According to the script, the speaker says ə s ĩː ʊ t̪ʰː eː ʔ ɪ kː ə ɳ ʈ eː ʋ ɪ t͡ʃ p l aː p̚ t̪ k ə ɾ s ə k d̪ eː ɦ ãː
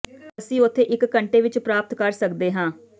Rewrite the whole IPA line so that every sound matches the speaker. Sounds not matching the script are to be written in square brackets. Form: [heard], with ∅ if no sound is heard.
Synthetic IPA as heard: ə s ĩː ʊ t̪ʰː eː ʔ ɪ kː ə ɳ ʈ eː ʋ ɪ t͡ʃ p [ɾ] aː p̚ t̪ k ə ɾ s ə k d̪ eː ɦ ãː